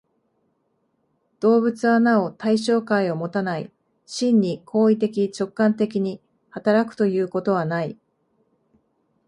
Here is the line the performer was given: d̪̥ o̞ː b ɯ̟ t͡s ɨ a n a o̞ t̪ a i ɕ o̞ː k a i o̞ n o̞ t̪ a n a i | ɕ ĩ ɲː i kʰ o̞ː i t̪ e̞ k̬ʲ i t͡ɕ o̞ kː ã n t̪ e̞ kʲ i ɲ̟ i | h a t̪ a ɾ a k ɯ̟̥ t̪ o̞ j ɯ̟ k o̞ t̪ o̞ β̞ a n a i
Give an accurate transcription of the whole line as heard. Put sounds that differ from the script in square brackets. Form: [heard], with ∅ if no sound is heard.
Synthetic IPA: d̪̥ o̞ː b ɯ̟ t͡s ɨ a n a o̞ t̪ a i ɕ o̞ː k a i o̞ [m] o̞ t̪ a n a i | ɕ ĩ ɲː i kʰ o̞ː i t̪ e̞ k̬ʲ i t͡ɕ o̞ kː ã n t̪ e̞ kʲ i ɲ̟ i | h a t̪ a ɾ a k ɯ̟̥ t̪ o̞ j [ɯ̟ː] k o̞ t̪ o̞ β̞ a n a i